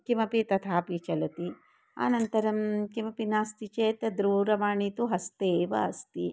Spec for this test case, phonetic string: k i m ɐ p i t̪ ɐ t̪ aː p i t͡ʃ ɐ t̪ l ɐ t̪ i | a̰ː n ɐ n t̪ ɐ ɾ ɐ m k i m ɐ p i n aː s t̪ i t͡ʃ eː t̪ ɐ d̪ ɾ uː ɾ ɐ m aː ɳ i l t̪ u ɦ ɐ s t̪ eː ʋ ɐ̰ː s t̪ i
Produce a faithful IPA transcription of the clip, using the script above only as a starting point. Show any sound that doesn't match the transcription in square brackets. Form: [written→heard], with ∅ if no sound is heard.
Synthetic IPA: k i m ɐ p i t̪ ɐ [t̪→t̪ʰ] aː p i t͡ʃ ɐ [t̪→∅] l ɐ t̪ i | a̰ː n ɐ n t̪ ɐ ɾ ɐ m k i m ɐ p i n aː s t̪ i t͡ʃ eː t̪ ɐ d̪ ɾ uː ɾ ɐ m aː ɳ i [l→∅] t̪ u ɦ ɐ s t̪ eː ʋ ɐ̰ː s t̪ i